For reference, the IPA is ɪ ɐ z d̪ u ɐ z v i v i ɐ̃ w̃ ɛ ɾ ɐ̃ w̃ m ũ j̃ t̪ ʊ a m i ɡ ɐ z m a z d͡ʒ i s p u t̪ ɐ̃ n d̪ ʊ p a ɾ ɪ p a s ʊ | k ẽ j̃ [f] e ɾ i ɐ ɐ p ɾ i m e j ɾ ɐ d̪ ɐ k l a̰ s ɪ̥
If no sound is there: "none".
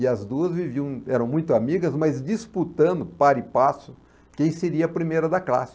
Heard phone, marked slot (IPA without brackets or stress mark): s